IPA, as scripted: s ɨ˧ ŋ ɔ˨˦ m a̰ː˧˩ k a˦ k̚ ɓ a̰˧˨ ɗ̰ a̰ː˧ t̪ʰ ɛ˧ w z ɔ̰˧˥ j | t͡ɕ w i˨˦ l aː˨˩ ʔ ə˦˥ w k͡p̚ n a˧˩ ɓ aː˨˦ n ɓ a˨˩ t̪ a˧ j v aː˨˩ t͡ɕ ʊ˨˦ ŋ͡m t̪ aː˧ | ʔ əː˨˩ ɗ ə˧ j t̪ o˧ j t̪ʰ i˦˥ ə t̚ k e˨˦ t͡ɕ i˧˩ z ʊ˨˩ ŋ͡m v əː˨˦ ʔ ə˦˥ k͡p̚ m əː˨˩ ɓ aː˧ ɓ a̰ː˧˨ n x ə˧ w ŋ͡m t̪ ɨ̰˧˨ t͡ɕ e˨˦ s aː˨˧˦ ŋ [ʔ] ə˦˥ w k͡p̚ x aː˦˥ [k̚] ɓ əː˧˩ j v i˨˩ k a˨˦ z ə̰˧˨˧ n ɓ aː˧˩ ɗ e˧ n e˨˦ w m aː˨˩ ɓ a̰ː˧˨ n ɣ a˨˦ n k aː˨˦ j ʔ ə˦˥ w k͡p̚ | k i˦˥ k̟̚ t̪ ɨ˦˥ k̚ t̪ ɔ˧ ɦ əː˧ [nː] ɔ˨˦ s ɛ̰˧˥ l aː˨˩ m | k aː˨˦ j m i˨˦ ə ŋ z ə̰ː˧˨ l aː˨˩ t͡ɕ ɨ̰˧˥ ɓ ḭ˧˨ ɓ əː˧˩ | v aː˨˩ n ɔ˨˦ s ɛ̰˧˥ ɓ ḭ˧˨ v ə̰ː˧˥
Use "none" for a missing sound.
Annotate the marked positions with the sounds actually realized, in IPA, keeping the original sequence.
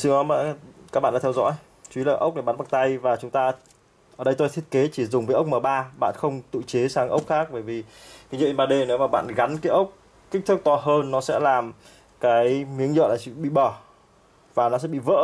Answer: ʔ, k̚, nː

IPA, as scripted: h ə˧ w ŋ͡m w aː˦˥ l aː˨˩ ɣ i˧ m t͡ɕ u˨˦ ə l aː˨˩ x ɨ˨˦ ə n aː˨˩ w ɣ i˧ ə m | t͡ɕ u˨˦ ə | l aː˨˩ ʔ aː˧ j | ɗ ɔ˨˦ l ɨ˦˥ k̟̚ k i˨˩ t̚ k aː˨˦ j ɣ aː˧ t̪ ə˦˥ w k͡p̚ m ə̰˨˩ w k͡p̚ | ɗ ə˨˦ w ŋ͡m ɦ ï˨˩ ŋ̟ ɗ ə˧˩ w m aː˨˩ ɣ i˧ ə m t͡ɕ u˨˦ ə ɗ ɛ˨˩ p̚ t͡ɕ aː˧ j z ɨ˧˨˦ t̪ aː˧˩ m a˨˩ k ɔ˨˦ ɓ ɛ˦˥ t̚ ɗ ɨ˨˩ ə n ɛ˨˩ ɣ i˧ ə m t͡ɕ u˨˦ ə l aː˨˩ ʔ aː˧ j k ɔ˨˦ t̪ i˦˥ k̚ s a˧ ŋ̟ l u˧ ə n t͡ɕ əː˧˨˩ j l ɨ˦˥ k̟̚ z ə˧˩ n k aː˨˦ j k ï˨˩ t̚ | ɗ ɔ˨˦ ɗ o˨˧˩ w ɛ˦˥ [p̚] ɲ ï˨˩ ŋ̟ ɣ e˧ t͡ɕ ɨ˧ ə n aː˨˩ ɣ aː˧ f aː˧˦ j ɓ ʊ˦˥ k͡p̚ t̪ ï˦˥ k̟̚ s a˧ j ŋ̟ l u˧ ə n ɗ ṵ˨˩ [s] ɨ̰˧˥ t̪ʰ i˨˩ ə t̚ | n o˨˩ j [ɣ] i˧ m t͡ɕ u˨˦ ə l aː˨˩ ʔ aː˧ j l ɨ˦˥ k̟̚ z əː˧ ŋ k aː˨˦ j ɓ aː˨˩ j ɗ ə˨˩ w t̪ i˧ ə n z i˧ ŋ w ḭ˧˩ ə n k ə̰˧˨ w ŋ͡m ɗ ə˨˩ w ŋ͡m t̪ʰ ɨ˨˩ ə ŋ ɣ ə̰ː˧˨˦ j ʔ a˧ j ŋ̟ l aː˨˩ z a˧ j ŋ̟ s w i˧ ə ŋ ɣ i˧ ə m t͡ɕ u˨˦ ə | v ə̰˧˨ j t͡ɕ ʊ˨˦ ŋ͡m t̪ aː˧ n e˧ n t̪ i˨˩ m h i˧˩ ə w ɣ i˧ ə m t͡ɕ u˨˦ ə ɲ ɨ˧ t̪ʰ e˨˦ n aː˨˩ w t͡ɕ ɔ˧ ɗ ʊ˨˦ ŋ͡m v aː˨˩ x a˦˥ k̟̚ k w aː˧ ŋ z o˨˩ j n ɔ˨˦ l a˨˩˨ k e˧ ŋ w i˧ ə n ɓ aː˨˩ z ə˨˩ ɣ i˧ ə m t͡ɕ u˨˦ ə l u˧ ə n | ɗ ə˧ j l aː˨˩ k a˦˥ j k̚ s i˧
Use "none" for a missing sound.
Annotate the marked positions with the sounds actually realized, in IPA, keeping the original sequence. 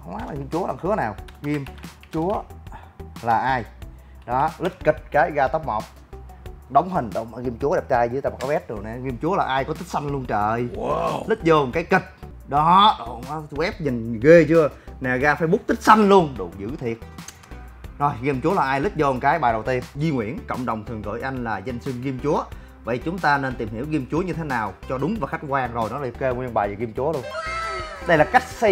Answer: p̚, z, ɣ

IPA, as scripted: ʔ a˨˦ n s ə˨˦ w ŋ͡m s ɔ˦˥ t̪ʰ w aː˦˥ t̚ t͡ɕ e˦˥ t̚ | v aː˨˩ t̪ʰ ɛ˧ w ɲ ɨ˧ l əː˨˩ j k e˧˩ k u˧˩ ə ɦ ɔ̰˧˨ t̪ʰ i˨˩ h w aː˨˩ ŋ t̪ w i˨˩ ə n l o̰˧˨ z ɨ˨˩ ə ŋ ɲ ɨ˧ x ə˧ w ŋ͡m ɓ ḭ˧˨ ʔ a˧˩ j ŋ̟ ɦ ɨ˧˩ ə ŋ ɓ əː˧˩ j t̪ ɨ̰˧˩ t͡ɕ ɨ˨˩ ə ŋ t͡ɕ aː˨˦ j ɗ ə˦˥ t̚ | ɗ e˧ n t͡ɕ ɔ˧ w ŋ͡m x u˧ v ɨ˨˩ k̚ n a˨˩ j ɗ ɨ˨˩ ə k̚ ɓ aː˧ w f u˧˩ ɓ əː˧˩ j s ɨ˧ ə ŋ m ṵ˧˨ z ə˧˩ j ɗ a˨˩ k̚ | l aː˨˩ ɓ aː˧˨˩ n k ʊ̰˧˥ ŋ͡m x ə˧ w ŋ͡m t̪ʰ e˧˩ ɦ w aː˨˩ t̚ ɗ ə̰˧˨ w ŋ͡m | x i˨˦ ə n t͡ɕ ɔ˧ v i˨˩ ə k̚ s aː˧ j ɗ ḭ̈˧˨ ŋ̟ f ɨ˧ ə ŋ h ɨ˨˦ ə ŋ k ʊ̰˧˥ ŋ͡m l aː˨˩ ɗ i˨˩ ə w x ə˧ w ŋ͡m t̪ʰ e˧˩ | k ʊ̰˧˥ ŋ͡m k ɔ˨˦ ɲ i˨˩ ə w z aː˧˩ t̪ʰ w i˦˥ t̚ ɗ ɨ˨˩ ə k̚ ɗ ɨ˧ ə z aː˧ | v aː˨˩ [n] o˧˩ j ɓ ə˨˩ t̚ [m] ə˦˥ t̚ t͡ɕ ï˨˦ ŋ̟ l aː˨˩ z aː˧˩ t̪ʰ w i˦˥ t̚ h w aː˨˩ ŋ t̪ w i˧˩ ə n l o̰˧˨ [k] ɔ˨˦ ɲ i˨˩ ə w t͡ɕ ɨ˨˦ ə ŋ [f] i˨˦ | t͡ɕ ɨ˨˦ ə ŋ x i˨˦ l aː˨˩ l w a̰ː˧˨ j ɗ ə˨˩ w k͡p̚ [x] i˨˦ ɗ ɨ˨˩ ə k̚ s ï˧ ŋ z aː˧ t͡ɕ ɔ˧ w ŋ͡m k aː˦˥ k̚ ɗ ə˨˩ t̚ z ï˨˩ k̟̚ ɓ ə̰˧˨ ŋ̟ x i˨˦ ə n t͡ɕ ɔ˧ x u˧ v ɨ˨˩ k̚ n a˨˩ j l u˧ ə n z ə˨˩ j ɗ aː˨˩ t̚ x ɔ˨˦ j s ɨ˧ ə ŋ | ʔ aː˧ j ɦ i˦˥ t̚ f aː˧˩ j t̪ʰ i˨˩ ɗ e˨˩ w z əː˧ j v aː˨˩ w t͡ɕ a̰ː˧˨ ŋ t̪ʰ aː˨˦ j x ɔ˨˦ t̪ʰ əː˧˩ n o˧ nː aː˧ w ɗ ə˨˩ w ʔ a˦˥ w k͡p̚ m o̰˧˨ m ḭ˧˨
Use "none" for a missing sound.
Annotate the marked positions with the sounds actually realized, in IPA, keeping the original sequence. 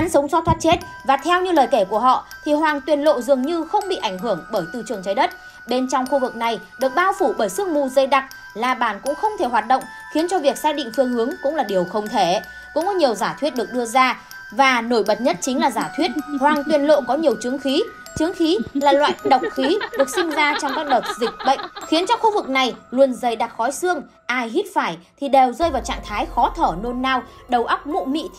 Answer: n, ɲ, k, x, x

